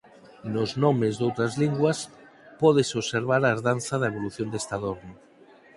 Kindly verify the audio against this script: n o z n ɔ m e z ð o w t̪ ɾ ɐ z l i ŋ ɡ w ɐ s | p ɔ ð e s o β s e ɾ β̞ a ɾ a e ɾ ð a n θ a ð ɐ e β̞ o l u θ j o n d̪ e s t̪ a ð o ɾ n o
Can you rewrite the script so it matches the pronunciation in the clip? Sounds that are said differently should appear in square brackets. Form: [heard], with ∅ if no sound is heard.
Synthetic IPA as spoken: n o z n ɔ m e z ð o w t̪ ɾ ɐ z l i ŋ ɡ w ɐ s | p ɔ ð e s o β s e ɾ β̞ a ɾ a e ɾ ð a n θ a ð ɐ e β̞ o l u θ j o n d̪ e s t̪ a ð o ɾ n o